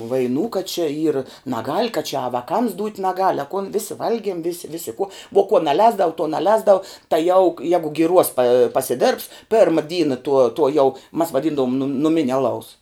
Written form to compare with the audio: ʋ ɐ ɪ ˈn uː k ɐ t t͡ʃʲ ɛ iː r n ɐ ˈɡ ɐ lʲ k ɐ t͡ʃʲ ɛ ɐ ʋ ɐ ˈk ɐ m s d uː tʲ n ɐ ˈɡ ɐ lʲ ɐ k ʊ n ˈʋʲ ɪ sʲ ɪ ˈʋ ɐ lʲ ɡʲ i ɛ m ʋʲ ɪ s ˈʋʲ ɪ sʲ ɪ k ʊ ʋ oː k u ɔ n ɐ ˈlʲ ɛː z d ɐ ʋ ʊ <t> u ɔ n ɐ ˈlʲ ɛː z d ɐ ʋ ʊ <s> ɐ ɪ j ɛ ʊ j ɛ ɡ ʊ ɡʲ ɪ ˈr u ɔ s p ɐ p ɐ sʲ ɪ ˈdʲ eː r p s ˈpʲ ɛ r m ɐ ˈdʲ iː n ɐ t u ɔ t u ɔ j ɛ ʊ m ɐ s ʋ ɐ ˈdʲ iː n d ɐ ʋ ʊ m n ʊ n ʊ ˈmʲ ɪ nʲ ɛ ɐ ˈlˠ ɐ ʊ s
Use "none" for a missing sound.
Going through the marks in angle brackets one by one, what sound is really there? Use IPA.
t, t

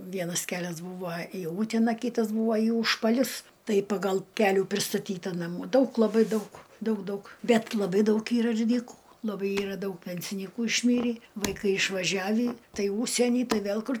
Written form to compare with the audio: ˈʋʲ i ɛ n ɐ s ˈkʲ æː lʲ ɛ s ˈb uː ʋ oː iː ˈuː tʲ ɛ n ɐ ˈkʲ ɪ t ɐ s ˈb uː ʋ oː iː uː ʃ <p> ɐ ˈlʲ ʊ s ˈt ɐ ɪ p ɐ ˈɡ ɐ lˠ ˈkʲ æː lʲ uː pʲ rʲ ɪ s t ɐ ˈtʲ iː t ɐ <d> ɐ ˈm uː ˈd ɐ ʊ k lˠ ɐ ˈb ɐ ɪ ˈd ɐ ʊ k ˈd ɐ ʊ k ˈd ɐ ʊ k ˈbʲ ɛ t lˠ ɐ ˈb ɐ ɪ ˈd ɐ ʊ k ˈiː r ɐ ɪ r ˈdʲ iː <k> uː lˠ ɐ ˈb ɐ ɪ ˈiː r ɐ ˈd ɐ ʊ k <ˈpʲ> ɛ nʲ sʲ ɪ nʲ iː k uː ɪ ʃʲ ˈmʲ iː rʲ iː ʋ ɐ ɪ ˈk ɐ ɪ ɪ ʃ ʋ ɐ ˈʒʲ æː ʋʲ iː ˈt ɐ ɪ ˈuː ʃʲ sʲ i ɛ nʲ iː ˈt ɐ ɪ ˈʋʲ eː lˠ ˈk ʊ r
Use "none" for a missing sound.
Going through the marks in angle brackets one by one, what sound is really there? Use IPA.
p, n, k, pʲ

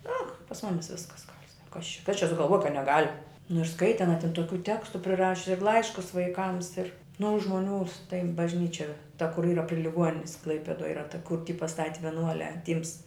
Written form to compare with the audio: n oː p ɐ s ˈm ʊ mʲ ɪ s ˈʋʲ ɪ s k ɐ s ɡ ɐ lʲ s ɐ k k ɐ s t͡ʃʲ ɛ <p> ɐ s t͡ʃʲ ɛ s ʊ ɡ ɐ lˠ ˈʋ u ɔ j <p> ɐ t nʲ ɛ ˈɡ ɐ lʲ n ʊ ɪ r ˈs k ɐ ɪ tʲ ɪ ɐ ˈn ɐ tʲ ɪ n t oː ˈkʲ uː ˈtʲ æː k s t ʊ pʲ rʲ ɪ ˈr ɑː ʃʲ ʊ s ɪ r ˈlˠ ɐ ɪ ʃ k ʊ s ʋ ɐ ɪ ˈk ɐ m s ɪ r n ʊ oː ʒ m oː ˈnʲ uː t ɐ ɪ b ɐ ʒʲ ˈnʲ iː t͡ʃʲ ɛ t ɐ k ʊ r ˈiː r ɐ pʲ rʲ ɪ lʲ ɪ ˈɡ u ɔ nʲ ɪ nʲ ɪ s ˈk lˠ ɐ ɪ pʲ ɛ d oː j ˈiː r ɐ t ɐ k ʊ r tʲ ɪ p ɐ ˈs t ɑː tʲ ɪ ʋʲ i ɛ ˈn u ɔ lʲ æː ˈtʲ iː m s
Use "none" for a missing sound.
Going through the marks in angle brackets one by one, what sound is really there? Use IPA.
k, k

